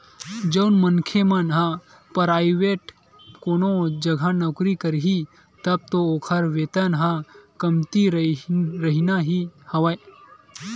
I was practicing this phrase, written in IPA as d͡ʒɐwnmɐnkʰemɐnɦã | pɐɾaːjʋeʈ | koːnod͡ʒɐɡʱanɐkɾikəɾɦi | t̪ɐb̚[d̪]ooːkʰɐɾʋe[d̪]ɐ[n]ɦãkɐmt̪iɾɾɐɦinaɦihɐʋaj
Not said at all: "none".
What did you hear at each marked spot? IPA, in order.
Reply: t̪, t̪, n

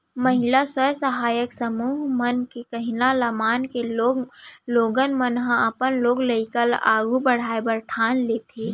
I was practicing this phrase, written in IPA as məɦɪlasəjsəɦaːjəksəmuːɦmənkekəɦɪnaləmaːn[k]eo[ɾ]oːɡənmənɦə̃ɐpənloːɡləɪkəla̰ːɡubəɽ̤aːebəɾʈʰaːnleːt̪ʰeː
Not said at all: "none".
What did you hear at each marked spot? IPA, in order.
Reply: k, l

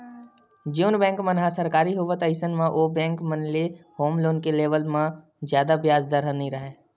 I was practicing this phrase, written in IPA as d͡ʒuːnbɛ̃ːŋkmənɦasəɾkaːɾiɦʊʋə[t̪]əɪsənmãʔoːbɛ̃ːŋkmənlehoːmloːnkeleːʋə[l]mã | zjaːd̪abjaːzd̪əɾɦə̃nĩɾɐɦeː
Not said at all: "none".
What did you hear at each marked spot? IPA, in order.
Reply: t̪, l

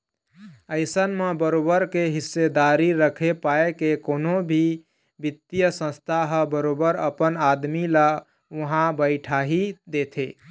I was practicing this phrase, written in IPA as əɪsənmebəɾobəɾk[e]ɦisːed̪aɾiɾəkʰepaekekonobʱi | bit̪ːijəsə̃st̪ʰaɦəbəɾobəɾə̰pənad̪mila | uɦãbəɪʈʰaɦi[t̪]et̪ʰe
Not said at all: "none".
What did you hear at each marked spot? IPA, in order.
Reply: e, d̪

